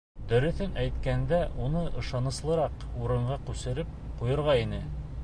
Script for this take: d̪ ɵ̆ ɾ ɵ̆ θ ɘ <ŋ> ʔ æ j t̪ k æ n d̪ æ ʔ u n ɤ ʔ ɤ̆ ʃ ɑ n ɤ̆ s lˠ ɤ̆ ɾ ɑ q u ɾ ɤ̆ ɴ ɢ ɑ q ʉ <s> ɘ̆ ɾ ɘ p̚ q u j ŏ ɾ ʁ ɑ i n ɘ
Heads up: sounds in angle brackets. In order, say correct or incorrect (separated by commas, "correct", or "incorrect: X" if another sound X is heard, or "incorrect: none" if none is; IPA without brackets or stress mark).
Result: incorrect: n, correct